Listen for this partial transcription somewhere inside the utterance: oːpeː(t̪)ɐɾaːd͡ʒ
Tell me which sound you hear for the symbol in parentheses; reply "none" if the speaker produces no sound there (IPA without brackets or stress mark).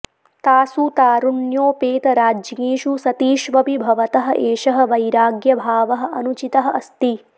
t̪